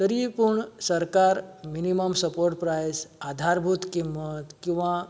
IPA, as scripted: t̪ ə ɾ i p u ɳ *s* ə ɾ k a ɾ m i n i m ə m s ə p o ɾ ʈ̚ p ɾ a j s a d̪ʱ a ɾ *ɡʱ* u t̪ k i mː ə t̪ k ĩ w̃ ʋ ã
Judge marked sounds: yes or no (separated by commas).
yes, no